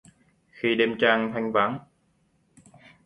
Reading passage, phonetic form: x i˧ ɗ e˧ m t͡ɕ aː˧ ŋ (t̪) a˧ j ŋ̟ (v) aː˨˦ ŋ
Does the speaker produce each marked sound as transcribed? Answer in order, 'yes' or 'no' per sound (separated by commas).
no, yes